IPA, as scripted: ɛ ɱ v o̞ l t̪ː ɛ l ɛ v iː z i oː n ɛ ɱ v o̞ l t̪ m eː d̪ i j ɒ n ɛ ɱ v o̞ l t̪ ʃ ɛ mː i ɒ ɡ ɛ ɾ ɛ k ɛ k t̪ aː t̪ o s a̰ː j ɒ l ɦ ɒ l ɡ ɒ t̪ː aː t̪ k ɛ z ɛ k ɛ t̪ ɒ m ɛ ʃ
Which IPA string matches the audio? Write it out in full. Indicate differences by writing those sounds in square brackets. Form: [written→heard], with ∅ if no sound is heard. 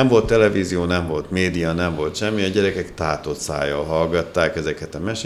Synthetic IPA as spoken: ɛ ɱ v o̞ l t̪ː ɛ l ɛ v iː z i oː n ɛ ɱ v o̞ l t̪ m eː d̪ i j ɒ n ɛ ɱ v o̞ l t̪ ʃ ɛ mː i ɒ [ɡ→ɟ] ɛ ɾ ɛ k ɛ k t̪ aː t̪ o s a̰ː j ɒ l ɦ ɒ l ɡ ɒ t̪ː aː [t̪→∅] k ɛ z ɛ k ɛ t̪ ɒ m ɛ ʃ